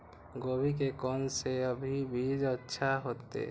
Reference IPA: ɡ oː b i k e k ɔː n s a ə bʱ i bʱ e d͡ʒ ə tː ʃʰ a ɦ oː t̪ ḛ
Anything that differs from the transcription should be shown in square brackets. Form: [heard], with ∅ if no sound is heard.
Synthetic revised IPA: ɡ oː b i k e k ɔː n s [e] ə bʱ i bʱ [i] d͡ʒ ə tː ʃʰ a ɦ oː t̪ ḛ